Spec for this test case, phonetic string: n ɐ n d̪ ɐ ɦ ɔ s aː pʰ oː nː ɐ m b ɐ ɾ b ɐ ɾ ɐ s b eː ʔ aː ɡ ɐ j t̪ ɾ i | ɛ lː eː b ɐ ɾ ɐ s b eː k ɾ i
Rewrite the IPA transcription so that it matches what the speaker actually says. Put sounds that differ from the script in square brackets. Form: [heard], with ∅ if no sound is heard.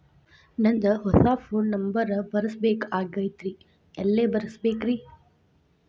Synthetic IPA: n ɐ n d̪ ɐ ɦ ɔ s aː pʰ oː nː ɐ m b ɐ ɾ b ɐ ɾ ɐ s b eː [k] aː ɡ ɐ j t̪ ɾ i | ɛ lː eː b ɐ ɾ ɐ s b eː k ɾ i